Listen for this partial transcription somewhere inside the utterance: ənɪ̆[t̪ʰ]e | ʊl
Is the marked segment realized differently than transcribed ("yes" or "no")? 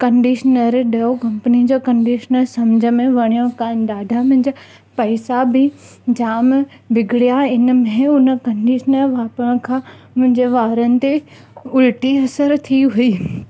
yes